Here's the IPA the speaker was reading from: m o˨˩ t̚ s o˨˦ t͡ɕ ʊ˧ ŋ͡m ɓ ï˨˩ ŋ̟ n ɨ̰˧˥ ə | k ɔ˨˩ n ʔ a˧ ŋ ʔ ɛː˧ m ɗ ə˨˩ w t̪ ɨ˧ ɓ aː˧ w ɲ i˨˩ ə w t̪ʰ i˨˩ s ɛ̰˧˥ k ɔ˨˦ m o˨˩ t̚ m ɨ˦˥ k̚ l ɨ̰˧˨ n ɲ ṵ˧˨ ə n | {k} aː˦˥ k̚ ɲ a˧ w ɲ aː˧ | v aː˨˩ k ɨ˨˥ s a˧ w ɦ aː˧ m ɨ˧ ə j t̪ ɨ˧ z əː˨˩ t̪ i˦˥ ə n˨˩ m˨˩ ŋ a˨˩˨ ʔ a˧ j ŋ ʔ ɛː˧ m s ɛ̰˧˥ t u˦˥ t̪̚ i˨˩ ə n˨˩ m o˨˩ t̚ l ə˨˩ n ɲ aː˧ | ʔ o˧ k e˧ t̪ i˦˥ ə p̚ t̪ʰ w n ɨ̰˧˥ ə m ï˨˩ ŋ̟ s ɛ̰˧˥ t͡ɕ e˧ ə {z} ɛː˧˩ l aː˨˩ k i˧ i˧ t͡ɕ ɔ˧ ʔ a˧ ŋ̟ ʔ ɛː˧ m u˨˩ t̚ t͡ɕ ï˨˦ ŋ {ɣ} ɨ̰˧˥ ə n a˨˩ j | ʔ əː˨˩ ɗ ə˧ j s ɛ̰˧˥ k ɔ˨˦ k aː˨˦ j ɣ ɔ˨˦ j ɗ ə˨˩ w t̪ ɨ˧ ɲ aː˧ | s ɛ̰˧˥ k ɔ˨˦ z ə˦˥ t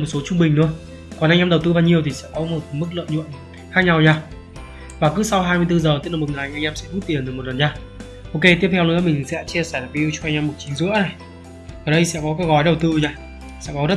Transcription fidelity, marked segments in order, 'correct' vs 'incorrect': incorrect: x, incorrect: s, incorrect: z

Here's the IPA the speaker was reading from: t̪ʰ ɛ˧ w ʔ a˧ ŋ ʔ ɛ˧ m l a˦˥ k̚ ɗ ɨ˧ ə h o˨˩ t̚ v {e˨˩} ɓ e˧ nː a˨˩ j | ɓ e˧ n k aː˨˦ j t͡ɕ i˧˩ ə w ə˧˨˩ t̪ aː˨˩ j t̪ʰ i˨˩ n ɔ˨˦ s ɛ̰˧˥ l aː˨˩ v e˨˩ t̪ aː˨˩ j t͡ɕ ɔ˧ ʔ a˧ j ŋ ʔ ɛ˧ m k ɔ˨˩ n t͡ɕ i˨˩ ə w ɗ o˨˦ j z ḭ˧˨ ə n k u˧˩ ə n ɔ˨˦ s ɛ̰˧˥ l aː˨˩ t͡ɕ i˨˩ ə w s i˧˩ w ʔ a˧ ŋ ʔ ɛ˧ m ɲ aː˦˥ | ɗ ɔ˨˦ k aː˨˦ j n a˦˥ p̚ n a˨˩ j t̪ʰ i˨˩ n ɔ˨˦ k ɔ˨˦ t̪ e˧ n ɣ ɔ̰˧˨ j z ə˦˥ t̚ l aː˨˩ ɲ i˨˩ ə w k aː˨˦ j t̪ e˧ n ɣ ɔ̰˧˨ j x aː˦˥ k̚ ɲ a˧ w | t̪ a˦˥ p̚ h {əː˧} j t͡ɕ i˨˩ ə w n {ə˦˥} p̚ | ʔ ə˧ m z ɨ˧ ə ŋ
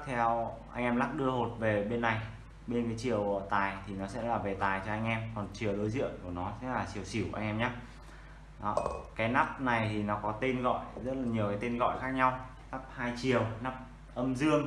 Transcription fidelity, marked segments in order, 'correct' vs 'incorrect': correct, incorrect: aː˧, incorrect: a˦˥

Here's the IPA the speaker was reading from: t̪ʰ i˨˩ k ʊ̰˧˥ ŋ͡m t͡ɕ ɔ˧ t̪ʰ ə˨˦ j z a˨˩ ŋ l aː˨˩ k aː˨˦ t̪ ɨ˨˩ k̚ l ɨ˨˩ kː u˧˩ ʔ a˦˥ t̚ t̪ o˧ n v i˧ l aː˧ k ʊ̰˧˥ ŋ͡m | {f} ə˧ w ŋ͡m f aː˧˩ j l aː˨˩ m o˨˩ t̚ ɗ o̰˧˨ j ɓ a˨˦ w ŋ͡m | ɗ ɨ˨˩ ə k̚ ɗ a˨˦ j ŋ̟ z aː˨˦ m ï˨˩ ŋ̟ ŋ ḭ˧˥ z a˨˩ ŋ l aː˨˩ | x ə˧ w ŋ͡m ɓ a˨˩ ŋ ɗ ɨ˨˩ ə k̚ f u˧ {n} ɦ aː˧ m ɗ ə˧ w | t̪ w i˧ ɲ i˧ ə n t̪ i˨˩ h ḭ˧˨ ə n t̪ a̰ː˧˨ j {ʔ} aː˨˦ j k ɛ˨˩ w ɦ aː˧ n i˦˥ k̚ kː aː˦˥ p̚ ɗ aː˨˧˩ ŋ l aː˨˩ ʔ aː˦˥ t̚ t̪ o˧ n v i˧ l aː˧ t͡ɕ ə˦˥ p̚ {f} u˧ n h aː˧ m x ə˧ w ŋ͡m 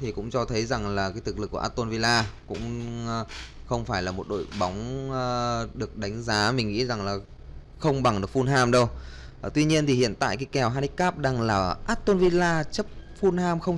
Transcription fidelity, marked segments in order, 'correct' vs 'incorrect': incorrect: x, correct, incorrect: k, correct

